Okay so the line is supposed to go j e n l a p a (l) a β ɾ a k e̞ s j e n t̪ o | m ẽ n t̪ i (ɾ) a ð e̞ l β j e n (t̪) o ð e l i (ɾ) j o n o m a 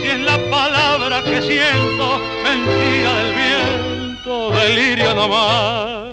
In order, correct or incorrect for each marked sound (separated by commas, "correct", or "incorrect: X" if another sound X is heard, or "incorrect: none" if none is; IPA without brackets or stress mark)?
correct, correct, correct, correct